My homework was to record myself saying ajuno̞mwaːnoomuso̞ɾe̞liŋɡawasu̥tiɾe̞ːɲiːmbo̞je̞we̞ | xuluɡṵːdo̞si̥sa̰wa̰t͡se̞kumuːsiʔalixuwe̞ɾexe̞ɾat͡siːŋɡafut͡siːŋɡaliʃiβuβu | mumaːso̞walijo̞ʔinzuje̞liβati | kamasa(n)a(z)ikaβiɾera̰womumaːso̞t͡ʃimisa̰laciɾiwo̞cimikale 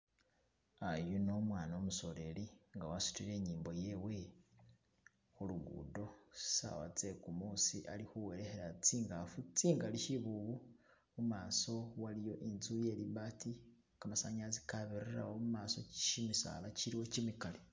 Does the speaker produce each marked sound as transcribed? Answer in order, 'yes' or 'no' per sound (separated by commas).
no, yes